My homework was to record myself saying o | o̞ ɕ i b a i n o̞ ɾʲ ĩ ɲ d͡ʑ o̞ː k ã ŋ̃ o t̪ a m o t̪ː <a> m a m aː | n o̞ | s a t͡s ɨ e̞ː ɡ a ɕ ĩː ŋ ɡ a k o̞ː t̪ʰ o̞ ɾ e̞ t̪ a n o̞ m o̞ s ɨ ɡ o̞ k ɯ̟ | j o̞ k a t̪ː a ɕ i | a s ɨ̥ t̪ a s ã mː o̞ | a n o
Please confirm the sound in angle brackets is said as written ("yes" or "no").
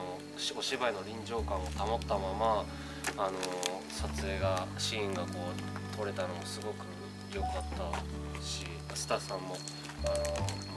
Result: yes